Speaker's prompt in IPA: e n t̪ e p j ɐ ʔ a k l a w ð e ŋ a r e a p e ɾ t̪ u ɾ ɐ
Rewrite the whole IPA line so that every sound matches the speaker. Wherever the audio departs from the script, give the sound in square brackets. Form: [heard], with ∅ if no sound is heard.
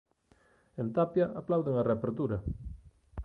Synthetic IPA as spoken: e n t̪ [a] p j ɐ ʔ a [p] l a w ð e ŋ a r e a p e ɾ t̪ u ɾ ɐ